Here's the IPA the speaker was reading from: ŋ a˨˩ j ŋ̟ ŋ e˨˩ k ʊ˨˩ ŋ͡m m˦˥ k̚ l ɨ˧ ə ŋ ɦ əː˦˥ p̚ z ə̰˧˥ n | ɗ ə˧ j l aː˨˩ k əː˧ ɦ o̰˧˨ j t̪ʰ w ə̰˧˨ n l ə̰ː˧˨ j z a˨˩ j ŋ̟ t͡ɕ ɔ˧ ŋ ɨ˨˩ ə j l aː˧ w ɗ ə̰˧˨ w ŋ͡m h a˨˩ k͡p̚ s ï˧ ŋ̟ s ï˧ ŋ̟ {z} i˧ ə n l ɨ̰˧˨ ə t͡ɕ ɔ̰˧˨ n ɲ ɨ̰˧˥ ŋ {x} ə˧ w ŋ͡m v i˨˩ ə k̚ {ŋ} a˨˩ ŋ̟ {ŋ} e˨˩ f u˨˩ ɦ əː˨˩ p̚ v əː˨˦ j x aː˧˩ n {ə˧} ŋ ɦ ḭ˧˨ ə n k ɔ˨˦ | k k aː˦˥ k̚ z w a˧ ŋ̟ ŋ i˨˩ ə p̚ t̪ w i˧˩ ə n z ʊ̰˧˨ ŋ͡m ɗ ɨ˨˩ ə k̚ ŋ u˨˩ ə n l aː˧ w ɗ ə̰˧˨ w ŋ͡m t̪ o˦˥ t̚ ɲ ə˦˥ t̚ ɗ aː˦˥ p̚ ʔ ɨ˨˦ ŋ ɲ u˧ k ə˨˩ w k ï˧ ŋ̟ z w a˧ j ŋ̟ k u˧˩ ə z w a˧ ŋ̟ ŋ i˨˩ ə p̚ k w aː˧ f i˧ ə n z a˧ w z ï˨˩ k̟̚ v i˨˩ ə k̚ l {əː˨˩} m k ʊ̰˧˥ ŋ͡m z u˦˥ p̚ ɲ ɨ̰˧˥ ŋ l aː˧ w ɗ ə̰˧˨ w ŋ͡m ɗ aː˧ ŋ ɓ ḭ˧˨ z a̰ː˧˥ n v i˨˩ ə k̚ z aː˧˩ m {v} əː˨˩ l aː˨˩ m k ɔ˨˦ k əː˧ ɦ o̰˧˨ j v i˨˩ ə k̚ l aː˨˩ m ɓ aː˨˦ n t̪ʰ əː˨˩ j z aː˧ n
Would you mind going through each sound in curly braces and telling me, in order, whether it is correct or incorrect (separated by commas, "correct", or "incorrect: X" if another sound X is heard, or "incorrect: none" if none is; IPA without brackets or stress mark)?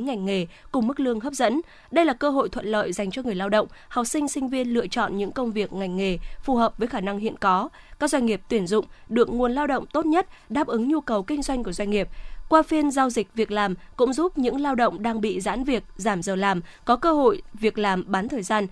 incorrect: v, incorrect: k, correct, correct, incorrect: a˧, incorrect: aː˨˩, incorrect: z